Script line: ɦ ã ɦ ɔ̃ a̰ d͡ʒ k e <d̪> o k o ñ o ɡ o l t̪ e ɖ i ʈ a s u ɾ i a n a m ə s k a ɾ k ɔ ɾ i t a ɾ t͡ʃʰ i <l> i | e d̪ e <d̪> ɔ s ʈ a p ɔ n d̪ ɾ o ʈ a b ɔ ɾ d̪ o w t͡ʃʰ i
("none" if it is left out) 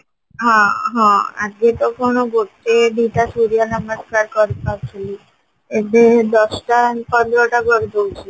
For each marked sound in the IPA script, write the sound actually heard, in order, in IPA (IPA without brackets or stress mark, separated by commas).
t̪, l, d̪